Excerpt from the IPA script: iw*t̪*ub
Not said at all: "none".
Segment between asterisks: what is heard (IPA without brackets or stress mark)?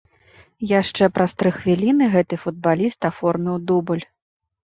d̪